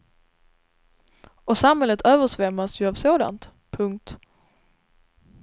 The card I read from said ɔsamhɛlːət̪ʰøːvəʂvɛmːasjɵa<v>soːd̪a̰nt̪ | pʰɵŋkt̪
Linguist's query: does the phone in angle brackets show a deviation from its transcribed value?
no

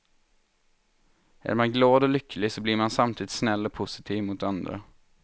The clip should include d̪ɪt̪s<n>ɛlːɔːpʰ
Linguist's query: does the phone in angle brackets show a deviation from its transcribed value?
no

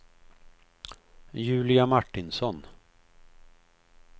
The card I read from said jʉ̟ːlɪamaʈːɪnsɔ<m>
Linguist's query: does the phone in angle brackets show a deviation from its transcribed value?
yes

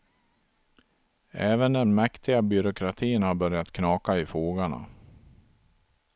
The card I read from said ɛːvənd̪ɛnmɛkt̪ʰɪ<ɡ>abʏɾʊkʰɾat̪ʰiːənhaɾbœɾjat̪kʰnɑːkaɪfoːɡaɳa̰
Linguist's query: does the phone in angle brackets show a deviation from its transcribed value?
no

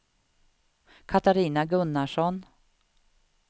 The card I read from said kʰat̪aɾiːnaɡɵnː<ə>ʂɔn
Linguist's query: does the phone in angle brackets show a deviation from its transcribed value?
yes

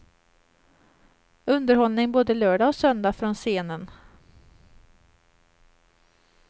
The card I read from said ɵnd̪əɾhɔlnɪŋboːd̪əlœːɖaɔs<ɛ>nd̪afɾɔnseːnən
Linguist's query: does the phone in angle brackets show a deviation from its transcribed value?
yes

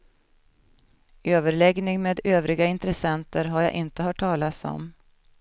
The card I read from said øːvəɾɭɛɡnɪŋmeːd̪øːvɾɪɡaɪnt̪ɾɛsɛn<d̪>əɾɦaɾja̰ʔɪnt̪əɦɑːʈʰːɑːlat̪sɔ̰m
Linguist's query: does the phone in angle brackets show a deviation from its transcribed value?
yes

